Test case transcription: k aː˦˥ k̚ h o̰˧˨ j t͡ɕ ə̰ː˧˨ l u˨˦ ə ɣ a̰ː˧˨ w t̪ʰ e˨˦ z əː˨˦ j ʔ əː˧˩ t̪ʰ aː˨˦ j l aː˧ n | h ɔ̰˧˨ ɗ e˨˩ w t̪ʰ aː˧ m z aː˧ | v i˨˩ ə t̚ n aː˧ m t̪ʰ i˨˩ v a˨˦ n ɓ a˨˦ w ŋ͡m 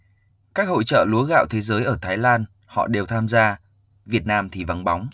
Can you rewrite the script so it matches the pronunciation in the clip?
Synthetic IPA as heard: k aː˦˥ k̚ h o̰˧˨ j t͡ɕ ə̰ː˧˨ l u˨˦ ə ɣ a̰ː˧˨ w t̪ʰ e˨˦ z əː˨˦ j ʔ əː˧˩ t̪ʰ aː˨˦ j l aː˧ n | h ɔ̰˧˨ ɗ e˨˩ w t̪ʰ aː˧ m z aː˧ | v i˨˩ ə t̚ n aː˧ m t̪ʰ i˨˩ v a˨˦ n ɓ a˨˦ w ŋ͡m